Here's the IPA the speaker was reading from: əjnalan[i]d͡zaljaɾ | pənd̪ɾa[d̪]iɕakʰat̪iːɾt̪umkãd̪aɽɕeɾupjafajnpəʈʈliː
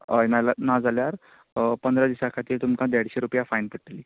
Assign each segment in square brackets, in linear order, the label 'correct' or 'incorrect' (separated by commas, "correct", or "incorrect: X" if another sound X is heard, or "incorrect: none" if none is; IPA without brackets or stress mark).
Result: incorrect: a, correct